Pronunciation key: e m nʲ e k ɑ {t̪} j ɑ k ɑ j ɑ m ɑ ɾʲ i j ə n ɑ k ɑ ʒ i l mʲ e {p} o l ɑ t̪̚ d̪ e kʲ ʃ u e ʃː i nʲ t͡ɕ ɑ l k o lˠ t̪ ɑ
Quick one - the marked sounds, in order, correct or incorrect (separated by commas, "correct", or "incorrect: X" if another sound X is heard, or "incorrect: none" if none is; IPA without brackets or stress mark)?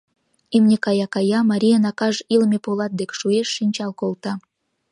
incorrect: none, correct